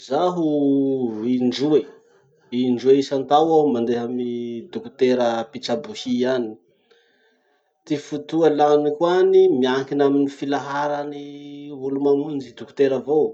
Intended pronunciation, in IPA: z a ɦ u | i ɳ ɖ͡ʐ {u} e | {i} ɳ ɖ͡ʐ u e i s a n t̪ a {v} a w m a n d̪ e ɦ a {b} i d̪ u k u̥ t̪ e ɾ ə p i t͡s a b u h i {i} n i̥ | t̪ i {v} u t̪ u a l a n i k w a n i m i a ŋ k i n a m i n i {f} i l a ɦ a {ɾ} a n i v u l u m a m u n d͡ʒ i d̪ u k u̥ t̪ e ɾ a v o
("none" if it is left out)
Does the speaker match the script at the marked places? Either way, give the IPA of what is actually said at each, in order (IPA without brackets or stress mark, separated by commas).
u, i, w, m, a, f, f, ɾ